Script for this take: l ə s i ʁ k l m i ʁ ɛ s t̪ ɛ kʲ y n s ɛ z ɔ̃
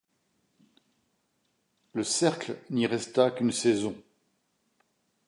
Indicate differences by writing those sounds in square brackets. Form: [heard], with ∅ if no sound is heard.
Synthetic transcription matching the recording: l ə s [ɛ] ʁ k l [n] i ʁ ɛ s t̪ [a] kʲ y n s ɛ z ɔ̃

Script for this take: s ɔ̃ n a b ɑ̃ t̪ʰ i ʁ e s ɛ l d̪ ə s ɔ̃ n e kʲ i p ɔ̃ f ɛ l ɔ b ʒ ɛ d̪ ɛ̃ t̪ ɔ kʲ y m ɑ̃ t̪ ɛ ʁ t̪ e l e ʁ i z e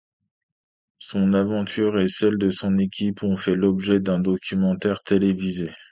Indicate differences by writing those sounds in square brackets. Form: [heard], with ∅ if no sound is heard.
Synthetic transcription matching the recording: s ɔ̃ n a [v] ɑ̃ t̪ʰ [y] ʁ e s ɛ l d̪ ə s ɔ̃ n e kʲ i p ɔ̃ f ɛ l ɔ b ʒ ɛ d̪ ɛ̃ [d̪] ɔ kʲ y m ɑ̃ t̪ ɛ ʁ t̪ e l e [v] i z e

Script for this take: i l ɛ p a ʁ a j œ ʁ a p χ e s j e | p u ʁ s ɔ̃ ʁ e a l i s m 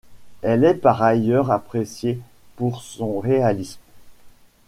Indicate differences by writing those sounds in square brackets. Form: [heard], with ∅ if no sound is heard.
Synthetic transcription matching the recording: [ɛ] l ɛ p a ʁ a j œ ʁ a p χ e s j e | p u ʁ s ɔ̃ ʁ e a l i s m

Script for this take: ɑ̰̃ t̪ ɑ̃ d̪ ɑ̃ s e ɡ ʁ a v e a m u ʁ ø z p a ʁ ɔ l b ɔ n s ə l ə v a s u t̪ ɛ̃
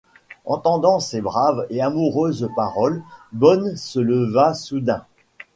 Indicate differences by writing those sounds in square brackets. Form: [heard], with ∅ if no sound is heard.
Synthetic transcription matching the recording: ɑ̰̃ t̪ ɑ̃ d̪ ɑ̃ s e [b] ʁ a v e a m u ʁ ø z p a ʁ ɔ l b ɔ n s ə l ə v a s u [d̪] ɛ̃

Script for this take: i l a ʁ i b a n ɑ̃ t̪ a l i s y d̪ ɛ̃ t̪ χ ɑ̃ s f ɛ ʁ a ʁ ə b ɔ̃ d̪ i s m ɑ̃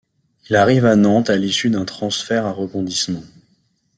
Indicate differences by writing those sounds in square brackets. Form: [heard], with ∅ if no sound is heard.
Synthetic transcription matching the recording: i l a ʁ i [v] a n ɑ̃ t̪ a l i s y d̪ ɛ̃ t̪ χ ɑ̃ s f ɛ ʁ a ʁ ə b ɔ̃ d̪ i s m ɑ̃

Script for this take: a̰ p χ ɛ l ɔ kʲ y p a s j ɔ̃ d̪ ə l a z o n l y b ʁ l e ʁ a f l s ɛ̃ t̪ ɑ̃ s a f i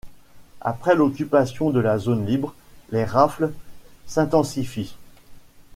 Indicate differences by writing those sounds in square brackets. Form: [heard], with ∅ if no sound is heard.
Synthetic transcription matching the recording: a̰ p χ ɛ l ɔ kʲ y p a s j ɔ̃ d̪ ə l a z o n l [i] b ʁ l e ʁ a f l s ɛ̃ t̪ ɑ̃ s [i] f i

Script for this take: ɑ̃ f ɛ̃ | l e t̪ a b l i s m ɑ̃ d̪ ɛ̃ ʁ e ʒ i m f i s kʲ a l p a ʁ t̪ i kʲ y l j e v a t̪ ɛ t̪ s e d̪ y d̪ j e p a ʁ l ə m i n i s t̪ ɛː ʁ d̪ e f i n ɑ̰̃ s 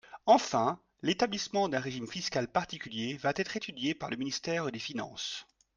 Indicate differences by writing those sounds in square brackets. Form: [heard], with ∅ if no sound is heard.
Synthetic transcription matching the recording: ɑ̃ f ɛ̃ | l e t̪ a b l i s m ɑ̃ d̪ ɛ̃ ʁ e ʒ i m f i s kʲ a l p a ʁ t̪ i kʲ y l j e v a t̪ ɛ t̪ [χ] e [t̪] y d̪ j e p a ʁ l ə m i n i s t̪ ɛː ʁ d̪ e f i n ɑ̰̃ s

